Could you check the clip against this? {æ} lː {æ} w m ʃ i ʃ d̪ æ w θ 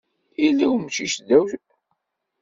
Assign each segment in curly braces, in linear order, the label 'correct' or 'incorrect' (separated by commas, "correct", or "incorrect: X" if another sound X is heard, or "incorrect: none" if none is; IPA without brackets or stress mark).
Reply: incorrect: i, incorrect: i